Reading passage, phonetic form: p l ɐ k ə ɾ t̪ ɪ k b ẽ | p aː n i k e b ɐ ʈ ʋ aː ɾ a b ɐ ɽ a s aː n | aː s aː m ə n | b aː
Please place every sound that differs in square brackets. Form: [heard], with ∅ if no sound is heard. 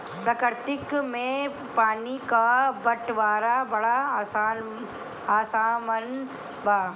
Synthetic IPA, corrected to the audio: p [ɾ] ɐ k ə ɾ t̪ ɪ k [m] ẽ | p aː n i k [a] b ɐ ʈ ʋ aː ɾ a b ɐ ɽ a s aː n | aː s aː m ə n | b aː